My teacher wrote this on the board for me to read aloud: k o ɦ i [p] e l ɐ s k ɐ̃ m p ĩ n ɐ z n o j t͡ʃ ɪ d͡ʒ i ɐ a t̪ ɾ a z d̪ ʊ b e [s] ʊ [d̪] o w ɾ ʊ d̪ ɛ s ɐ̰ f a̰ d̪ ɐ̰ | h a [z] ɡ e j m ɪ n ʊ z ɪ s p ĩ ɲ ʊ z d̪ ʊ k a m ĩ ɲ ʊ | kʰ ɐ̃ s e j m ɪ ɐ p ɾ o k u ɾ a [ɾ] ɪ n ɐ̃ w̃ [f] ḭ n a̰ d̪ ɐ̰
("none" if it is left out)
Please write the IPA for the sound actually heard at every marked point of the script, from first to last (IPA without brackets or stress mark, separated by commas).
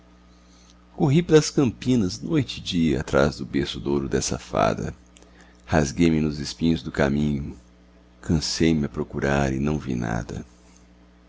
p, s, d̪, z, ɾ, v